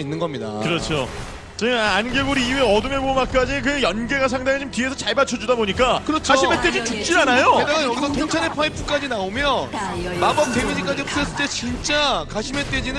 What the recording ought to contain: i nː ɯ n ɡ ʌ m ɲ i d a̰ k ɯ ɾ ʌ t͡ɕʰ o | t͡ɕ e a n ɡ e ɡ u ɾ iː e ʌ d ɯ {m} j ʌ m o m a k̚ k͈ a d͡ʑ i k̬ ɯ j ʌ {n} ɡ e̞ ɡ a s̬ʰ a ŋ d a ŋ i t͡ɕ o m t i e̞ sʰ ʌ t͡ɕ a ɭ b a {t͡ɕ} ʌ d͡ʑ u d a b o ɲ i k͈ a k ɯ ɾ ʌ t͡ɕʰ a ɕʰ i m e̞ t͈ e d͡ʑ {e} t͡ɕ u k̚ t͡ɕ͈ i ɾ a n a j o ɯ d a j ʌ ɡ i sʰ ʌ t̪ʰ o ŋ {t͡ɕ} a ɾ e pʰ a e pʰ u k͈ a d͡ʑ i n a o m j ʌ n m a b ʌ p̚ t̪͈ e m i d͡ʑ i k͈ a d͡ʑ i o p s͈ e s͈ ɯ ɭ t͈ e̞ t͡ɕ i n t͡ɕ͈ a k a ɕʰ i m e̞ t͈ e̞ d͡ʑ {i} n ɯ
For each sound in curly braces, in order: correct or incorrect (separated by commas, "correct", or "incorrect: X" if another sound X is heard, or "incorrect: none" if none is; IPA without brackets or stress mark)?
correct, correct, incorrect: t͡ɕʰ, incorrect: i, incorrect: t͡ɕʰ, correct